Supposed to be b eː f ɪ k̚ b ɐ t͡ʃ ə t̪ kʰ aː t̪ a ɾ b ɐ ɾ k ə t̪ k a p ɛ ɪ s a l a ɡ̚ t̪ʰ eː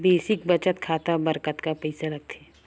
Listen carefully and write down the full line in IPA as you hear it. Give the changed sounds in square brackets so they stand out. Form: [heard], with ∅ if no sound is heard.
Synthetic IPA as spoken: b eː [s] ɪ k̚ b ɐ t͡ʃ ə t̪ kʰ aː t̪ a [∅] b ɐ ɾ k ə t̪ k a p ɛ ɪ s a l [ɐ] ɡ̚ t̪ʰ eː